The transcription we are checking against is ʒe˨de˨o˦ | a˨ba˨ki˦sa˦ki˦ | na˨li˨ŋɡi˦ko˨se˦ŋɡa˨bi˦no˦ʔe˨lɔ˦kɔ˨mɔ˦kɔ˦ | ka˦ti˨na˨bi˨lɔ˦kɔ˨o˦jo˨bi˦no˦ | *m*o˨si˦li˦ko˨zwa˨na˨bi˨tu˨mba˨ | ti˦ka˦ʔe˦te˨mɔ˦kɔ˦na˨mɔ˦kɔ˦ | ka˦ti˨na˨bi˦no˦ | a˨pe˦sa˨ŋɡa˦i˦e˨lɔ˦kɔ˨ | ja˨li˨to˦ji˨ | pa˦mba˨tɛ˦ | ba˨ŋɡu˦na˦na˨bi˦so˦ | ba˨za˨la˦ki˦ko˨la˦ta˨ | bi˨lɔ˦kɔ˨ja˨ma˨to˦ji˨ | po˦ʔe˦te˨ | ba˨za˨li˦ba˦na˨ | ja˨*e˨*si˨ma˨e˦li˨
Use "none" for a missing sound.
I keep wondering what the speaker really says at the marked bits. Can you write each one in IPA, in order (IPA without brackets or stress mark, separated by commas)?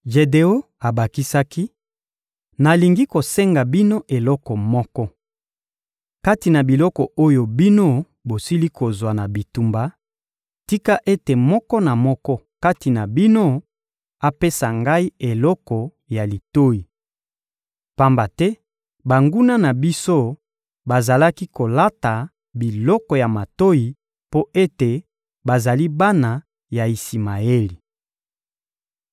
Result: b, i˨